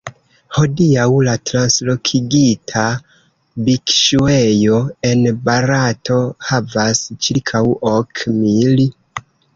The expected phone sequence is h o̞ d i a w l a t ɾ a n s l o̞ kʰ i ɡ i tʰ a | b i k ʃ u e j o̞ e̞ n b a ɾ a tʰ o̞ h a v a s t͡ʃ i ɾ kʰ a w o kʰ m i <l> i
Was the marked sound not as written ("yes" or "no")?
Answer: no